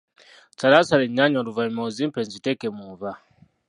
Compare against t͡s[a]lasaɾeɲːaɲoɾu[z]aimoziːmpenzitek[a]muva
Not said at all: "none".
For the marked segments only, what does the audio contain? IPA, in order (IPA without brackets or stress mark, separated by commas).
a, v, e